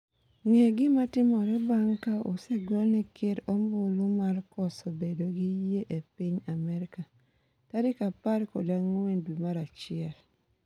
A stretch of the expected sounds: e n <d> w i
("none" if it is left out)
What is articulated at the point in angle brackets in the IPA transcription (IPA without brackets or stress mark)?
d